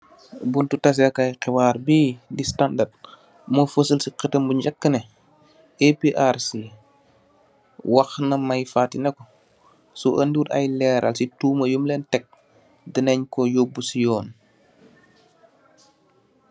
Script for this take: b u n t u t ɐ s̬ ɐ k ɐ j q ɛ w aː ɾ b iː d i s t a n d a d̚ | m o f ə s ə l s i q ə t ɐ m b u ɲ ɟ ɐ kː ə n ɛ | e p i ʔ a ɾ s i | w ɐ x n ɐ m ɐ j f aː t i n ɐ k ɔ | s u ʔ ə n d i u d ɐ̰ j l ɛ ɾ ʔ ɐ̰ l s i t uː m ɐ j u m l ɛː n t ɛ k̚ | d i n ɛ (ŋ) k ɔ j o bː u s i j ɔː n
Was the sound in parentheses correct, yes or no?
no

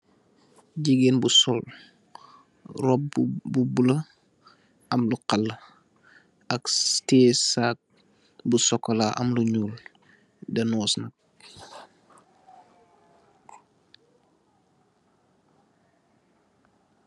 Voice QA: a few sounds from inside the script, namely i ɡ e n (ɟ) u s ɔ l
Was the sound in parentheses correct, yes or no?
no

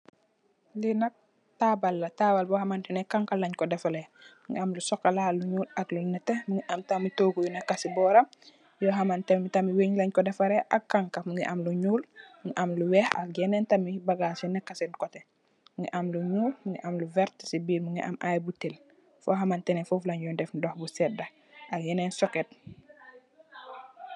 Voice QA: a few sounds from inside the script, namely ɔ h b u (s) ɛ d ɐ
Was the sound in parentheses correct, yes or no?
yes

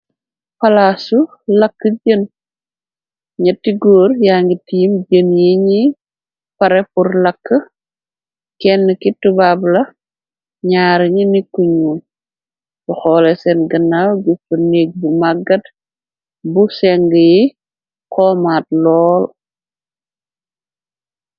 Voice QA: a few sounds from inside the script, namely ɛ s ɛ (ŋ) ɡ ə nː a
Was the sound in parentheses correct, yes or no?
no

